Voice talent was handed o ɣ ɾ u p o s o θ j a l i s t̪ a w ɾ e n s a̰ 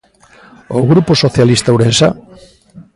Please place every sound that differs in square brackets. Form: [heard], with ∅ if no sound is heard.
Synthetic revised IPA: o ɣ ɾ u p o s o θ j a l i s t̪ a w ɾ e n s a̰